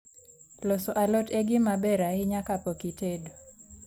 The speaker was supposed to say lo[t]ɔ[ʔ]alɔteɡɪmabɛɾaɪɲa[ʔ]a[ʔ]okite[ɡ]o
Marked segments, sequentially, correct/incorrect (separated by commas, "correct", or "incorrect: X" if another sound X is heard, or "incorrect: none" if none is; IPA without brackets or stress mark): incorrect: s, correct, incorrect: k, incorrect: p, incorrect: d